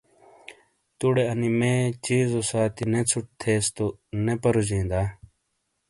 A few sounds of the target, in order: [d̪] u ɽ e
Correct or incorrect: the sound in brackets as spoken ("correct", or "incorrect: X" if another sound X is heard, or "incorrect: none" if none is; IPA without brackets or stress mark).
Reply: incorrect: t̪